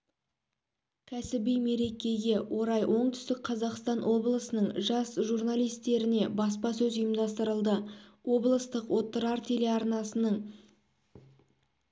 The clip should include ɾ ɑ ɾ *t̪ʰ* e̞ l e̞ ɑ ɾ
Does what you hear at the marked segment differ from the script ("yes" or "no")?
no